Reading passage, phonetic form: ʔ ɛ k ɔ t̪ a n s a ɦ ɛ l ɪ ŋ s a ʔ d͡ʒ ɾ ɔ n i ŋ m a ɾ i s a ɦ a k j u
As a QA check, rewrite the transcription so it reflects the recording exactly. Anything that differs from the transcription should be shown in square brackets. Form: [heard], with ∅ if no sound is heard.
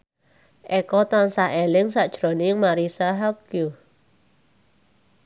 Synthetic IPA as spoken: ʔ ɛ k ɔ t̪ a n s a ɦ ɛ l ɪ ŋ s a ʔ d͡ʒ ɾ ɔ n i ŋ m a ɾ i s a ɦ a k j u